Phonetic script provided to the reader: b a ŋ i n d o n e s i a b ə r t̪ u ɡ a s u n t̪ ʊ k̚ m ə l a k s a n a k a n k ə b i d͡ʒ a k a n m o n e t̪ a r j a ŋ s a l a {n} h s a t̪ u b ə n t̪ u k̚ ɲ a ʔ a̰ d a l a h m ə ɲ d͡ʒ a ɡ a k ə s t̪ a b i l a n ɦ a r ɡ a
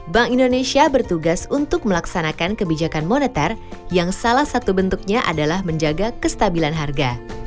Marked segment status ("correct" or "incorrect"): incorrect